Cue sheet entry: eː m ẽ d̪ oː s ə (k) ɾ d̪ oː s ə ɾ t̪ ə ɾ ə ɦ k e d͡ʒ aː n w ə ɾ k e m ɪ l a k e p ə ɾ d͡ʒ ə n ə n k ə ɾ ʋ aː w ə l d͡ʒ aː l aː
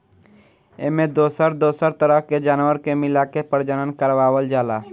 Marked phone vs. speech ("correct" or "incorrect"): incorrect